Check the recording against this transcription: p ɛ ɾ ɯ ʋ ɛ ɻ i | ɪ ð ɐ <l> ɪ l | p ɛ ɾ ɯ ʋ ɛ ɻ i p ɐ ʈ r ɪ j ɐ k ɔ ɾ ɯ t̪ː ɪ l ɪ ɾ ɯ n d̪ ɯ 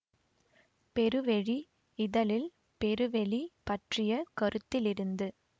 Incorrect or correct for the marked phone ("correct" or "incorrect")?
correct